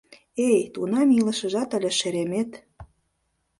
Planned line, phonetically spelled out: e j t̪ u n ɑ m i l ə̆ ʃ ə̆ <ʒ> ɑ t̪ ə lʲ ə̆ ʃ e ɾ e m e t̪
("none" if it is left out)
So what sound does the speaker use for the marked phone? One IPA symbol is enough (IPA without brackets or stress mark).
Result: ʒ